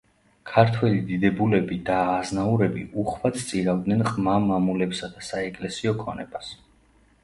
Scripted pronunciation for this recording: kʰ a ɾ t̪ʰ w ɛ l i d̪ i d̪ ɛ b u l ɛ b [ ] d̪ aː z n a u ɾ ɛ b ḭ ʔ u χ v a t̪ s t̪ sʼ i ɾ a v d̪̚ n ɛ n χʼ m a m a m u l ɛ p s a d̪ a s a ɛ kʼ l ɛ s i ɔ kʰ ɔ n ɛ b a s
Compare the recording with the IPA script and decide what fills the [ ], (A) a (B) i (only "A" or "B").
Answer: B